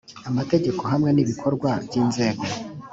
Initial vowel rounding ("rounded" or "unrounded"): unrounded